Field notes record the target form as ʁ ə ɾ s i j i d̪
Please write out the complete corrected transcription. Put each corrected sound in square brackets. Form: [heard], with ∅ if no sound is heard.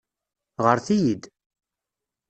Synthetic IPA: ʁ ə ɾ [θ] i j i d̪